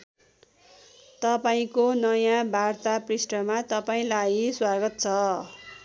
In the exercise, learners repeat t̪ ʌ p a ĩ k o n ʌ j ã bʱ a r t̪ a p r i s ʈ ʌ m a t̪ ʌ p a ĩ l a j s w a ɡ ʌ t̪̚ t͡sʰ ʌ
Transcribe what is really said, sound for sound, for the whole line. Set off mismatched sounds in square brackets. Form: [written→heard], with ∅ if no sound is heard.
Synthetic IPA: t̪ ʌ p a ĩ k o n ʌ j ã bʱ a r t̪ a p r i s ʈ ʌ m a t̪ ʌ p a ĩ l a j s w a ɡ ʌ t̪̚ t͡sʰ ʌ